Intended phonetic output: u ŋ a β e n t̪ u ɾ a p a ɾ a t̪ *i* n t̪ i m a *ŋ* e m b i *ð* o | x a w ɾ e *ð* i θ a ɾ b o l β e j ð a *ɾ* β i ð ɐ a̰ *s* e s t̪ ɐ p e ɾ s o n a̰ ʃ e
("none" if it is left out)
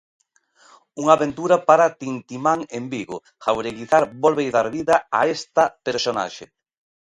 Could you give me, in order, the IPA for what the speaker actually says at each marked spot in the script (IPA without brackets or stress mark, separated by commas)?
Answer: i, ŋ, ɣ, ɣ, ɾ, none